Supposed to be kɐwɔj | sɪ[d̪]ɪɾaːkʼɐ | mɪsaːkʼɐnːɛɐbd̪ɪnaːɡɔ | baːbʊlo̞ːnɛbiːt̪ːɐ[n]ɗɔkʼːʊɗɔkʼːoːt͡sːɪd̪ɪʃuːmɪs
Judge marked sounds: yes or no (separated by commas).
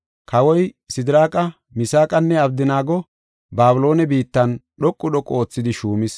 yes, yes